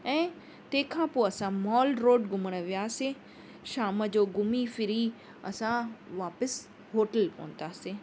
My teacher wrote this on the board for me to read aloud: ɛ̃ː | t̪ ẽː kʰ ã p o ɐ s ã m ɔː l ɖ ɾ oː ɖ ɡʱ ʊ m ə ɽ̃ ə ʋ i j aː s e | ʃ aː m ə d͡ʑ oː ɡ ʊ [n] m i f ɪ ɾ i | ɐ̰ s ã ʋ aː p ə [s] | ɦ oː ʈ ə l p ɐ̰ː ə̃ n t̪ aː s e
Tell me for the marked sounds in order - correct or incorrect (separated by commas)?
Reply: incorrect, correct